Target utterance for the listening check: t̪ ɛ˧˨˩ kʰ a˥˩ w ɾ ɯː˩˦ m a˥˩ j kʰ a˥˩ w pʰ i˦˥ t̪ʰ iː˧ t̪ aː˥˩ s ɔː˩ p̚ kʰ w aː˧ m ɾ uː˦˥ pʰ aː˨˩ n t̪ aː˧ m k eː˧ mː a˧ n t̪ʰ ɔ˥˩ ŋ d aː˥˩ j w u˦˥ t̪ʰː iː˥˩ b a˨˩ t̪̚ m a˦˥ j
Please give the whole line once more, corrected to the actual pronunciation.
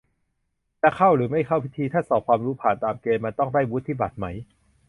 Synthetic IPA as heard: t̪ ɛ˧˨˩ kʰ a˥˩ w ɾ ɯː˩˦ m a˥˩ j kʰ a˥˩ w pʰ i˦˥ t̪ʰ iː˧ t̪ʰ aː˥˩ s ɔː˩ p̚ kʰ w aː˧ m ɾ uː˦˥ pʰ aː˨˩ n t̪ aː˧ m k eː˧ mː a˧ n t̪ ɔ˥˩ ŋ d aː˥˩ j w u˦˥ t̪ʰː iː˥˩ b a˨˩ t̪̚ m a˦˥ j